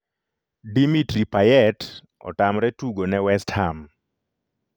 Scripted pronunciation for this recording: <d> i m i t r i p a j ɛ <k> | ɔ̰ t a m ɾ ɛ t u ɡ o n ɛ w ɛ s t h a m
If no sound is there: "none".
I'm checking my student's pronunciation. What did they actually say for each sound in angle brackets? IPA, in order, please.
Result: d, t

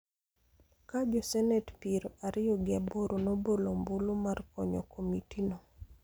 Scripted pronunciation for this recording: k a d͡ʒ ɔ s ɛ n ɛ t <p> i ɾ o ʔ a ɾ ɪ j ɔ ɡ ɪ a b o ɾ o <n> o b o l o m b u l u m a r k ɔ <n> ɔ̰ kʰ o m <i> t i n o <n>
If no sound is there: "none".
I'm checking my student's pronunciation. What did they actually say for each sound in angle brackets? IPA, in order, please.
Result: p, n, ɲ, i, none

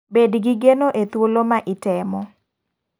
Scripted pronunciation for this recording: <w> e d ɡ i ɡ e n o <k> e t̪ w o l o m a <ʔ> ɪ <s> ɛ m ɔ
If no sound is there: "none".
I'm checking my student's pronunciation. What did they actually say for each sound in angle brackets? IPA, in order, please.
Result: b, ʔ, ʔ, t

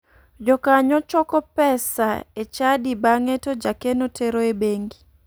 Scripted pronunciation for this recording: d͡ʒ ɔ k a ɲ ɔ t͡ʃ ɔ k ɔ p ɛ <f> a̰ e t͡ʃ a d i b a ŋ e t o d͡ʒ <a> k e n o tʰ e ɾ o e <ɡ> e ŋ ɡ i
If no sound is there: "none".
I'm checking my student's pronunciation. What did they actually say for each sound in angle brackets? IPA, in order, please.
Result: s, a, b

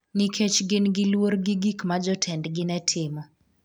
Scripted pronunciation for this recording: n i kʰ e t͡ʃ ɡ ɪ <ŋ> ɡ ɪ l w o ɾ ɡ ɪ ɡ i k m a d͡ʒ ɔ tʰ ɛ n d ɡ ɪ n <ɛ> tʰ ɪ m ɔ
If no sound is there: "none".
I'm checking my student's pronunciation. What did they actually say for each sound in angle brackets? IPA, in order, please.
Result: n, ɛ

